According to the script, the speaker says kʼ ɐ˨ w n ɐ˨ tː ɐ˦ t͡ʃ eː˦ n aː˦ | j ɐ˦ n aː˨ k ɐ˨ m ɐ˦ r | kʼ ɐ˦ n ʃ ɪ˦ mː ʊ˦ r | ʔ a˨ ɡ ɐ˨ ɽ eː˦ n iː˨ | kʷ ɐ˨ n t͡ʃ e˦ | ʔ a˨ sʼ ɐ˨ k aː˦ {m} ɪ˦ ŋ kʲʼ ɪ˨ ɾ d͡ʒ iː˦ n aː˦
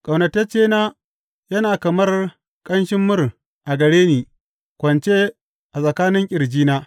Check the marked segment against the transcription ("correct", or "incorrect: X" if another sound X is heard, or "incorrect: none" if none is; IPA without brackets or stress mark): incorrect: n